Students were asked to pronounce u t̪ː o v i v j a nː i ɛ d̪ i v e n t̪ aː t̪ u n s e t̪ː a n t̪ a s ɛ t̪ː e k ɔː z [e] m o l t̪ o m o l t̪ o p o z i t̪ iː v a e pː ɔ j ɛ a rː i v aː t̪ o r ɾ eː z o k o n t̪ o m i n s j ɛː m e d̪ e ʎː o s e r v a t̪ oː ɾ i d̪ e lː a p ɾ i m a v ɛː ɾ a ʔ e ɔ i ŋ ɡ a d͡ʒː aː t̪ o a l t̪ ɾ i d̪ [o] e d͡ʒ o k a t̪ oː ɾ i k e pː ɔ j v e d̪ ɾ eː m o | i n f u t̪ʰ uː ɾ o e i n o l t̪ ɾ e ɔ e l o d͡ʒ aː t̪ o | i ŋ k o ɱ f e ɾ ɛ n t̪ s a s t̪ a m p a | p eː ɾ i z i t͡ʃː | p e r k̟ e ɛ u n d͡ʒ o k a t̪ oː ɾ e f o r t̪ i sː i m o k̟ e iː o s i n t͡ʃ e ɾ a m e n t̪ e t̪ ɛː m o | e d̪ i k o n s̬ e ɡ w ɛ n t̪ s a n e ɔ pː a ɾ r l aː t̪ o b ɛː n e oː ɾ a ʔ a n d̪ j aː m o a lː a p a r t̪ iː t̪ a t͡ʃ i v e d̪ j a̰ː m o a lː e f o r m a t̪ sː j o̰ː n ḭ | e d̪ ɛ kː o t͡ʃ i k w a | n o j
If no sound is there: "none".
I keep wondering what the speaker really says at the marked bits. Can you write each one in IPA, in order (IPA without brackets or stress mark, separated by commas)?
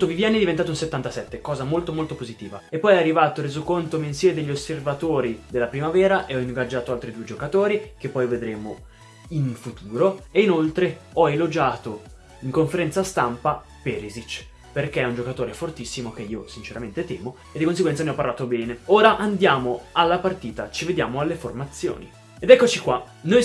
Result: a, u